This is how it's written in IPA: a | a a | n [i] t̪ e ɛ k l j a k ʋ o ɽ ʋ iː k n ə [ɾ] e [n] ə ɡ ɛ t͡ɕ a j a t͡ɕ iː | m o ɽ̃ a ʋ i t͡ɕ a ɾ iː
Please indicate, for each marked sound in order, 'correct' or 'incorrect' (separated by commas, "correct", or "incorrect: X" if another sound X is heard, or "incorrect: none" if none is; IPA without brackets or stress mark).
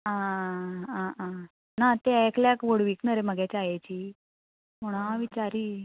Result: incorrect: a, correct, incorrect: m